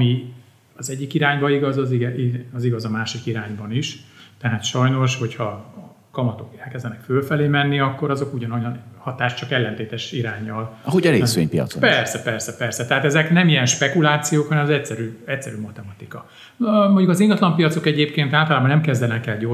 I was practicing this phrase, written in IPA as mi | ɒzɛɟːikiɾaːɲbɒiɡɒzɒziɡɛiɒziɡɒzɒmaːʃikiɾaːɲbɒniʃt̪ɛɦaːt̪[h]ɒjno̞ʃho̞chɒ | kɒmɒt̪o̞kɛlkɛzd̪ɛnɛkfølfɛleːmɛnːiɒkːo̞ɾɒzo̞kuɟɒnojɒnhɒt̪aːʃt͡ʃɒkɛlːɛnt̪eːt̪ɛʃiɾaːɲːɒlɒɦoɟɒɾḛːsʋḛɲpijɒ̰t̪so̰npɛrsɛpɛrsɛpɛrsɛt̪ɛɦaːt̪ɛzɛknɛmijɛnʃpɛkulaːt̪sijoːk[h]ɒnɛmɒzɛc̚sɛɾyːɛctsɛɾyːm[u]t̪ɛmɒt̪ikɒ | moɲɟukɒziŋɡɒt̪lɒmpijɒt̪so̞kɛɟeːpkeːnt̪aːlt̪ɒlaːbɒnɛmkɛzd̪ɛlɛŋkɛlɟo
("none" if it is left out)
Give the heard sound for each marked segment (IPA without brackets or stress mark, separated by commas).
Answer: ʃ, h, ɒ